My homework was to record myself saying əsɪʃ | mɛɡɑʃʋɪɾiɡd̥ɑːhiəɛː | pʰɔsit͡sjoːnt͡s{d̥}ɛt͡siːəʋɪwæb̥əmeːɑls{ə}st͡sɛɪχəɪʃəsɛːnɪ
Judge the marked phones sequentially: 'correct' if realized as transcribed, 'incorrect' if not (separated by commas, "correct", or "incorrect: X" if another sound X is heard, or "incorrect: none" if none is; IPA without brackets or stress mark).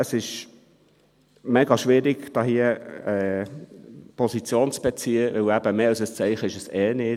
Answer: incorrect: b̥, correct